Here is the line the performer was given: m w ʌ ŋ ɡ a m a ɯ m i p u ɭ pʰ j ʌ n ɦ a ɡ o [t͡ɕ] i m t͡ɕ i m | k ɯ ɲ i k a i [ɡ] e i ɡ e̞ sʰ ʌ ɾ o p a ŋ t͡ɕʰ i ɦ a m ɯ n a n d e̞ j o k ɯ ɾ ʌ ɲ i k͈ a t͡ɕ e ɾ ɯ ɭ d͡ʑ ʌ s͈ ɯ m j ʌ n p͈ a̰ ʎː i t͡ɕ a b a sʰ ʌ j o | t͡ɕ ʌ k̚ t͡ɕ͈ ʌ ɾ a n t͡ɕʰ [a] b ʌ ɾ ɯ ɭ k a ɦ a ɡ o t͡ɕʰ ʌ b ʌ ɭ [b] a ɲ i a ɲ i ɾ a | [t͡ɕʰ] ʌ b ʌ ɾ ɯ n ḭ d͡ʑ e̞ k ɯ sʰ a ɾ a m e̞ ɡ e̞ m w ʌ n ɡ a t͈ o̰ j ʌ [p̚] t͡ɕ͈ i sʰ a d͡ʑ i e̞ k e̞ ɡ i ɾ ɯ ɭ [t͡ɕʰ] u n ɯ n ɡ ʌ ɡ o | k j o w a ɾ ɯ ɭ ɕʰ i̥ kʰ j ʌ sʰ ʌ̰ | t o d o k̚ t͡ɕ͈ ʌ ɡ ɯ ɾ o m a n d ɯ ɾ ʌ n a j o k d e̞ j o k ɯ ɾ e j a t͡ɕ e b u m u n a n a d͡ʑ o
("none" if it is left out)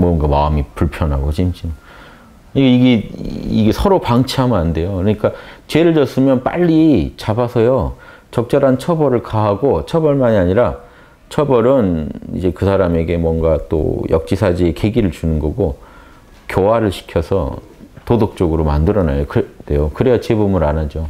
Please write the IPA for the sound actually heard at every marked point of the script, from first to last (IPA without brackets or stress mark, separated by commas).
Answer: t͡ɕ, ɡ, ʌ, m, t͡ɕʰ, k̚, t͡ɕ